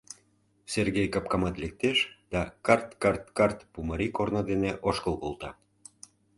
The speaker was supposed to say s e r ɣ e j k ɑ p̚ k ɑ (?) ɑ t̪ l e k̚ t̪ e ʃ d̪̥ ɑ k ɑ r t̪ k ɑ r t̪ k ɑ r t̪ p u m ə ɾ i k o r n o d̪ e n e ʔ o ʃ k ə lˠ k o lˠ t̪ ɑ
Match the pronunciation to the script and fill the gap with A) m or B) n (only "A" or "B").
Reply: A